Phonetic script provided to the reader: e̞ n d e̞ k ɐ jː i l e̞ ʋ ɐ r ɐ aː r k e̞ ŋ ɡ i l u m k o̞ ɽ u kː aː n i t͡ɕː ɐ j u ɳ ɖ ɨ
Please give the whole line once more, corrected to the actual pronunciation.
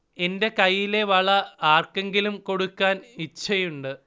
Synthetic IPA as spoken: e̞ n d e̞ k ɐ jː i l e̞ ʋ ɐ ɭ ɐ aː r k e̞ ŋ ɡ i l u m k o̞ ɽ u kː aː n i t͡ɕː ɐ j u ɳ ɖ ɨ